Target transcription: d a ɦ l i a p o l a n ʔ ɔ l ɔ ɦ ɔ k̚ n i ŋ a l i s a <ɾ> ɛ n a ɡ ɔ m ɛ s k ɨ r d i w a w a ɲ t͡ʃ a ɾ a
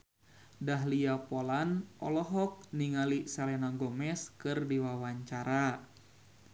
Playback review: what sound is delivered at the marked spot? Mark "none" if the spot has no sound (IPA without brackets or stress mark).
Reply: l